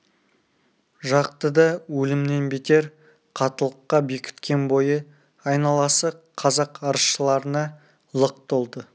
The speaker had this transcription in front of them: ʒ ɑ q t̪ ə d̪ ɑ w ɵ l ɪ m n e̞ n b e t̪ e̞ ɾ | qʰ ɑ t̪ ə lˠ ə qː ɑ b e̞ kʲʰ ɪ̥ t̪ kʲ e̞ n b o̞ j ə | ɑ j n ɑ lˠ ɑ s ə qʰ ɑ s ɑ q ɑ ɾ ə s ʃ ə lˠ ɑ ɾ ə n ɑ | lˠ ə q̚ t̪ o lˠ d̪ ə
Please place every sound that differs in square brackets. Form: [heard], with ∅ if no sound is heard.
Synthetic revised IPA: ʒ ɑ q t̪ ə d̪ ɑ w ɵ l ɪ m n e̞ n b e t̪ e̞ ɾ | qʰ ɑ t̪ ə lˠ ə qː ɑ b e̞ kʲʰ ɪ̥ t̪ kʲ e̞ n b o̞ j ə | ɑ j n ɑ lˠ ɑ s ə qʰ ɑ [z] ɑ q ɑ ɾ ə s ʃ ə lˠ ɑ ɾ ə n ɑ | lˠ ə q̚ t̪ o lˠ d̪ ə